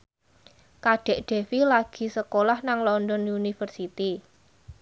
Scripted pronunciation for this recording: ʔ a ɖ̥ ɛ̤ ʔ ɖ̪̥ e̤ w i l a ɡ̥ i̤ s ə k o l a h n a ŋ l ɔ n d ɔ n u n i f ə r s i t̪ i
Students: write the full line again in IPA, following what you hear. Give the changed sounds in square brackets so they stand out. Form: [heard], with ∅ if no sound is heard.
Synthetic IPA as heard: [k] a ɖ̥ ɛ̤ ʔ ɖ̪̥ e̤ w i l a ɡ̥ i̤ s ə k o l a h n a ŋ l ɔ n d ɔ n u n i f ə r s i t̪ i